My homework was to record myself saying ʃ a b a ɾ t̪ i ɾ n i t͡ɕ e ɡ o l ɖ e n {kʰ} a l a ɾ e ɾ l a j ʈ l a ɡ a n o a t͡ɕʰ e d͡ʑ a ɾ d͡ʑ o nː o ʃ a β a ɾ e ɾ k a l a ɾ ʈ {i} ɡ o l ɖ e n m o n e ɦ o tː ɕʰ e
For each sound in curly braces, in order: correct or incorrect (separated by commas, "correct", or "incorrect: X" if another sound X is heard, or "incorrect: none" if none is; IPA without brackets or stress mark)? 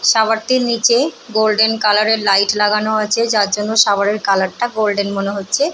incorrect: k, incorrect: a